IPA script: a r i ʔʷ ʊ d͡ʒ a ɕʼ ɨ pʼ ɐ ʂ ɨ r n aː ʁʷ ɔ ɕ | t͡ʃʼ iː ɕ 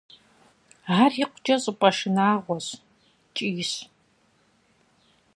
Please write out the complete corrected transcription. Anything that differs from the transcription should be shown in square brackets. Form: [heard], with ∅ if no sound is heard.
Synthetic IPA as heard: a r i [qʷ] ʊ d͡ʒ [ɐ] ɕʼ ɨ pʼ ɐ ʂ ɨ [∅] n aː ʁʷ ɔ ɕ | t͡ʃʼ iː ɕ